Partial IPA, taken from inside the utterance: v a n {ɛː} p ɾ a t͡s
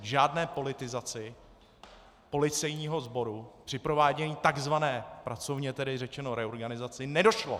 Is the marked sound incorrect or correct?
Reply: correct